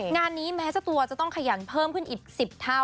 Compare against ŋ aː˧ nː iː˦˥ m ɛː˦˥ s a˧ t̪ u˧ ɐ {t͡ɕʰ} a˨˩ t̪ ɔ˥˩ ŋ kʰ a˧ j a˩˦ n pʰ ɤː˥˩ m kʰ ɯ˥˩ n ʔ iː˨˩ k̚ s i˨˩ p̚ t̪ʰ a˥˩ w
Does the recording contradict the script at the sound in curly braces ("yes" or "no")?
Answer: yes